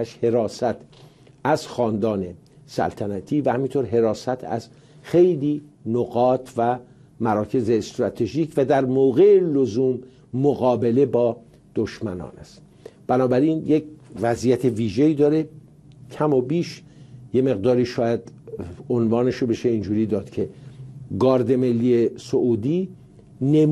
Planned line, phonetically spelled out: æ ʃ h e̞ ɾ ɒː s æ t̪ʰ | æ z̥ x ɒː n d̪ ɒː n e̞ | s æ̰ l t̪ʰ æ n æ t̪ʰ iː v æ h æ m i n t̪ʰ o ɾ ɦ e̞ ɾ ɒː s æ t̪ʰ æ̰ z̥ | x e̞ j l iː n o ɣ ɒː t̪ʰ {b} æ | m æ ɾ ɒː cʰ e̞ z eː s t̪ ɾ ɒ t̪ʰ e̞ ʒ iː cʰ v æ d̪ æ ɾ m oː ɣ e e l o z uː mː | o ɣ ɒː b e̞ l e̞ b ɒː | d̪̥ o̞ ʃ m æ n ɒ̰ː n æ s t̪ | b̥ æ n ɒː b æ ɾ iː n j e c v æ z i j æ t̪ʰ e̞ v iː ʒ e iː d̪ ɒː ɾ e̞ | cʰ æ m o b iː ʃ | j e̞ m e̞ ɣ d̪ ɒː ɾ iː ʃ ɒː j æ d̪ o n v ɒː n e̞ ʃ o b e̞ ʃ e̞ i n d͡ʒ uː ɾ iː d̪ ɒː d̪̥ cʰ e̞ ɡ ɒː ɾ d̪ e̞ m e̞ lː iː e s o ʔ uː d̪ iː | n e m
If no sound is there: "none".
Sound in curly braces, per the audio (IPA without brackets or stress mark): v